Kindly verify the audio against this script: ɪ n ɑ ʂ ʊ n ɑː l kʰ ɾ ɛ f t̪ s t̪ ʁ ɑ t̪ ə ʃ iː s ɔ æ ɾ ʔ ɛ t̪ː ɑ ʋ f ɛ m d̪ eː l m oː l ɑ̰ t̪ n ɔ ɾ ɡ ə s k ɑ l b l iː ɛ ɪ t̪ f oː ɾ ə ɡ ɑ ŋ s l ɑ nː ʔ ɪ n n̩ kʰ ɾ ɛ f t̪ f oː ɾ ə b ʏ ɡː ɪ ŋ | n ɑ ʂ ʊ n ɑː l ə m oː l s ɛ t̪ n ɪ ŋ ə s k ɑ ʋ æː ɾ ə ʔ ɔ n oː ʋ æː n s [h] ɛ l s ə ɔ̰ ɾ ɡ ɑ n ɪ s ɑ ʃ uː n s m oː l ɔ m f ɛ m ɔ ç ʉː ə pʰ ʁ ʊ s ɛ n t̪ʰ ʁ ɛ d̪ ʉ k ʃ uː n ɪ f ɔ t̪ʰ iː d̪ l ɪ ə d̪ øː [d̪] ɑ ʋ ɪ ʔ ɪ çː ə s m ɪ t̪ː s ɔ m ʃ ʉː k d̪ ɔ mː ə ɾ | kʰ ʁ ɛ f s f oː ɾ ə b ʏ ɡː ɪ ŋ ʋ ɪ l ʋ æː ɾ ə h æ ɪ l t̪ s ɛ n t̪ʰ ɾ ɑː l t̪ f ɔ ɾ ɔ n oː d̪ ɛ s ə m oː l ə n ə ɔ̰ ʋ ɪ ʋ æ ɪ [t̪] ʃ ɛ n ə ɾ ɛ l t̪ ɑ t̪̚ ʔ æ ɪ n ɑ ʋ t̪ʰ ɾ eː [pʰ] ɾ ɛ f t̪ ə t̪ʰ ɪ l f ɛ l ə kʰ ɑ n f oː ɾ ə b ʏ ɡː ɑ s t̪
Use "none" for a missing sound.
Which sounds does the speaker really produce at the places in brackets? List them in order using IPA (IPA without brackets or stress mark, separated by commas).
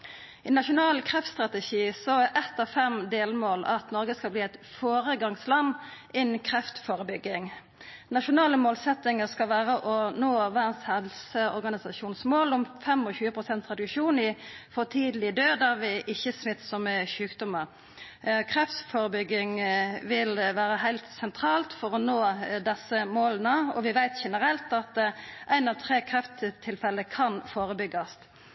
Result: h, d̪, t̪, kʰ